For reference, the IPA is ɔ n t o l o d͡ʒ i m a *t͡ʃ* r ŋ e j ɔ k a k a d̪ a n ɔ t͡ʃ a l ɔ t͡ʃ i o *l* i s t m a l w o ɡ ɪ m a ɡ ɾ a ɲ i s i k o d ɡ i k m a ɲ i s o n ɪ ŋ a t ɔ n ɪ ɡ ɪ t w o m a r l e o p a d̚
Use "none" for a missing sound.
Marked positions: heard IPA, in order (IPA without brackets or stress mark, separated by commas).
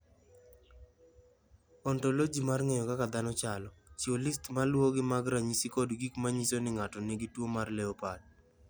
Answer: none, l